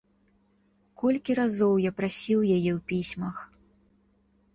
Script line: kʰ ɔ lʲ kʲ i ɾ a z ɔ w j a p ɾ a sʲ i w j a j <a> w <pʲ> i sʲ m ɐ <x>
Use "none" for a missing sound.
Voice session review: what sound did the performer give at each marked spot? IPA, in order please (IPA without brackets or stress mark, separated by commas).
ɛ, pʲ, x